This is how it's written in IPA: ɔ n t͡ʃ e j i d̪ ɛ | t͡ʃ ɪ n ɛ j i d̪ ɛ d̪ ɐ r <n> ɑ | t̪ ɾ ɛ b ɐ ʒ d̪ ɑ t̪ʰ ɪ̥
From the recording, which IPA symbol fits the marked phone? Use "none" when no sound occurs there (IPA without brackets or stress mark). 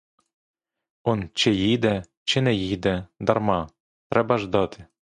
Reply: m